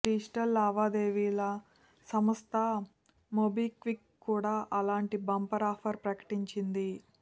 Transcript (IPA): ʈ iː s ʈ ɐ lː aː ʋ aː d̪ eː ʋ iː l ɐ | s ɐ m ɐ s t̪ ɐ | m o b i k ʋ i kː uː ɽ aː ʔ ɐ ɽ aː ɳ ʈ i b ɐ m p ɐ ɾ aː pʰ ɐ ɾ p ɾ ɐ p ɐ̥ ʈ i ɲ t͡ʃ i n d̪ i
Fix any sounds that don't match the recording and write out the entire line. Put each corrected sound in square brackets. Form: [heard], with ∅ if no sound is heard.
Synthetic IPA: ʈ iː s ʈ ɐ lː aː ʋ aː d̪ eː ʋ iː l ɐ | s ɐ m ɐ s t̪ ɐ | m o b i k ʋ i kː uː ɽ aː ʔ ɐ [l] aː ɳ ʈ i b ɐ m p ɐ ɾ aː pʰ ɐ ɾ p ɾ ɐ [k] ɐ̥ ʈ i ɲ t͡ʃ i n d̪ i